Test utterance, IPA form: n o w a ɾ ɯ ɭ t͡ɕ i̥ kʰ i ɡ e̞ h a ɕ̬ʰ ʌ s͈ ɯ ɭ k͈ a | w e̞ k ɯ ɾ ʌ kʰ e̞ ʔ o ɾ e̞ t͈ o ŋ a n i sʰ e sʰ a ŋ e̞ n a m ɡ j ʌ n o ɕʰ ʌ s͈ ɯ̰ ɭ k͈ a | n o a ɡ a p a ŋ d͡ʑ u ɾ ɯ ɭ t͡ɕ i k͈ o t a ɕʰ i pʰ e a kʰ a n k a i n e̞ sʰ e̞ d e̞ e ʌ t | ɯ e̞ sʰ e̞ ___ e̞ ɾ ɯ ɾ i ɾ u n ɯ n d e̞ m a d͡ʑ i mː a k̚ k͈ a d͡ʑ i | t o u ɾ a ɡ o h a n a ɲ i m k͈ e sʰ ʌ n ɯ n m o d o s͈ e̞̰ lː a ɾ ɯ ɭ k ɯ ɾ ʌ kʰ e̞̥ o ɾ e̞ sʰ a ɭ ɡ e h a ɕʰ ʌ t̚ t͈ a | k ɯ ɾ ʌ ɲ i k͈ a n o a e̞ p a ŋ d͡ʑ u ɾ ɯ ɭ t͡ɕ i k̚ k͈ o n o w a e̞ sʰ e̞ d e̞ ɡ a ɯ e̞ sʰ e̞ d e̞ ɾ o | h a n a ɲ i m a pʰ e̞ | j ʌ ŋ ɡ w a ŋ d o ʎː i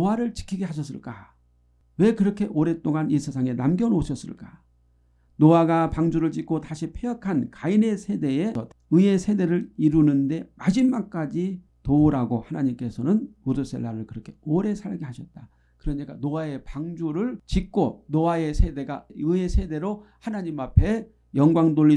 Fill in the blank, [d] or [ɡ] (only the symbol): d